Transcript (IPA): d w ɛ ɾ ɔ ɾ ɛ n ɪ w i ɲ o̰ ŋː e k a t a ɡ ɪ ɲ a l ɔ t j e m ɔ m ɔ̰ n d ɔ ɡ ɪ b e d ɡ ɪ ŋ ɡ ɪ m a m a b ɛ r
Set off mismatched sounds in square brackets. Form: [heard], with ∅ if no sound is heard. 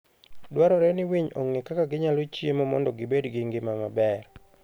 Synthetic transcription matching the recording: d w [a] ɾ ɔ ɾ ɛ n ɪ w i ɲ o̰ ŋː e k a [k] a ɡ ɪ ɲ a l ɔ [t͡ʃ] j e m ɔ m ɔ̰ n d ɔ ɡ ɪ b e d ɡ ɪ ŋ ɡ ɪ m a m a b ɛ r